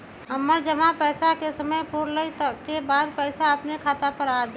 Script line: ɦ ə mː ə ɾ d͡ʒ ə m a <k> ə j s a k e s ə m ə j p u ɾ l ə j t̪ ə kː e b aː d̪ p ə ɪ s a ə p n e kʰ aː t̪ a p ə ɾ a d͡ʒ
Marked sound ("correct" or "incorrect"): incorrect